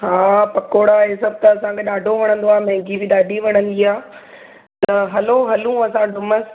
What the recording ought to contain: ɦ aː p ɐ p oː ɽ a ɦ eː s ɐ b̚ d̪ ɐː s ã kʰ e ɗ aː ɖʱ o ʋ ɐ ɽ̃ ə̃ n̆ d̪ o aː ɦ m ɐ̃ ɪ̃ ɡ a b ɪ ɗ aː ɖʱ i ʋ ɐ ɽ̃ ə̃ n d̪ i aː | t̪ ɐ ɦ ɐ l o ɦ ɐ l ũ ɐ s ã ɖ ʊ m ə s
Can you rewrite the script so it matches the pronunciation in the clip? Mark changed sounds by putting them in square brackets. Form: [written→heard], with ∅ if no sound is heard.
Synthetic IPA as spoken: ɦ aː p ɐ [p→k] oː ɽ a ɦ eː s ɐ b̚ [d̪→t̪] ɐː s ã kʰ e ɗ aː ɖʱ o ʋ ɐ ɽ̃ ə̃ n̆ d̪ o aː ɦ m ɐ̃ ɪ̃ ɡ [a→i] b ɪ ɗ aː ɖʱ i ʋ ɐ ɽ̃ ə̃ n d̪ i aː | t̪ ɐ ɦ ɐ l o ɦ ɐ l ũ ɐ s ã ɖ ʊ m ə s